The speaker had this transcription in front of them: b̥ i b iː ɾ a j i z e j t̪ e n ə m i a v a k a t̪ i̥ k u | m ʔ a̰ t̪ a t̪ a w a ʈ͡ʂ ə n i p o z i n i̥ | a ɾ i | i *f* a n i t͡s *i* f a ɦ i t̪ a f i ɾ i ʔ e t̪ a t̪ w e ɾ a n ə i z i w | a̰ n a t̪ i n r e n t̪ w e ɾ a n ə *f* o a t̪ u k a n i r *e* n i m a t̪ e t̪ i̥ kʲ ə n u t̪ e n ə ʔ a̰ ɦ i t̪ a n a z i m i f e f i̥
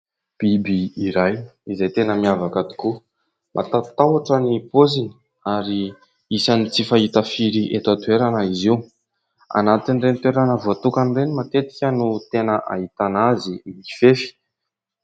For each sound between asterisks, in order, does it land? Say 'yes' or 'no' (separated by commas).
no, yes, no, yes